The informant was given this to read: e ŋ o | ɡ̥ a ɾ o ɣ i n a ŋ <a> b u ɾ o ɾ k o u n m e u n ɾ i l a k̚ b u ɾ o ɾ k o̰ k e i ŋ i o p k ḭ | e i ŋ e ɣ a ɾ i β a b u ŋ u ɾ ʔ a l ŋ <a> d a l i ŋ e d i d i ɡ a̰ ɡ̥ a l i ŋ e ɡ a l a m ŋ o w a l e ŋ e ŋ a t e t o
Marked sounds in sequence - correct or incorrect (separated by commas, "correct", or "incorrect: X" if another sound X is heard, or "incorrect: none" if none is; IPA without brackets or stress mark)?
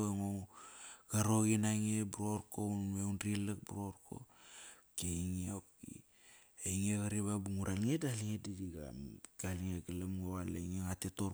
incorrect: e, incorrect: e